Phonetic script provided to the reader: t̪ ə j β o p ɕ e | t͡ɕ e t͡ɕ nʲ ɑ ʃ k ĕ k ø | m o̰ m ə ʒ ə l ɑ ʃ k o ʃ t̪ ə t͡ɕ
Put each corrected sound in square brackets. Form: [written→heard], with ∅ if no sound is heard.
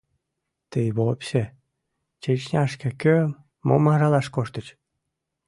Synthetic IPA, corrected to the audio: t̪ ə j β o p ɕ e | t͡ɕ e t͡ɕ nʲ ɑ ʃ k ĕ k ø | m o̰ m [ə→ɑ] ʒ [ə→ɑ] l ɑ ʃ k o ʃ t̪ ə t͡ɕ